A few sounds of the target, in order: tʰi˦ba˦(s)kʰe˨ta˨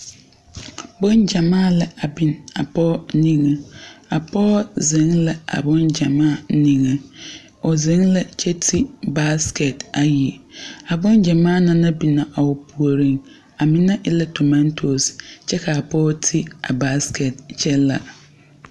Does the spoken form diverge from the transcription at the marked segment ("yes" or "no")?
no